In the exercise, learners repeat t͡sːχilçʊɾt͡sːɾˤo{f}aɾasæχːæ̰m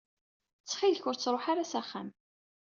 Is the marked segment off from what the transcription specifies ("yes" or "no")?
yes